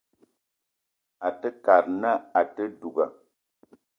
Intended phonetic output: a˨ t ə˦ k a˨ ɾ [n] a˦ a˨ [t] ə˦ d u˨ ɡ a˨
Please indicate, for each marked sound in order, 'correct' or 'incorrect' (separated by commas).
correct, correct